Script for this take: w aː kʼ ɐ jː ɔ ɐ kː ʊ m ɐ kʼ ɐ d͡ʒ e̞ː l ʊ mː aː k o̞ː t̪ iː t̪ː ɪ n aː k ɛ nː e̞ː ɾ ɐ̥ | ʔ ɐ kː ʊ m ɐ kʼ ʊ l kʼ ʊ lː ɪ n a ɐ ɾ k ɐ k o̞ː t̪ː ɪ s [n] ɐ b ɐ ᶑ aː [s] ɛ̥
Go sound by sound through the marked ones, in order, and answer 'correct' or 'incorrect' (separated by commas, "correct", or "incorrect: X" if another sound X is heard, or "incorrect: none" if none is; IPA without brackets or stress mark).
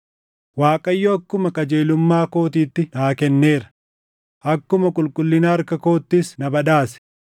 correct, correct